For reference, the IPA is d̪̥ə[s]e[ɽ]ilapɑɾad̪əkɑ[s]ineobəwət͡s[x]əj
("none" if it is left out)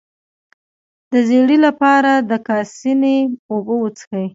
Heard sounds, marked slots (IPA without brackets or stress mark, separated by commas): z, ɽ, s, x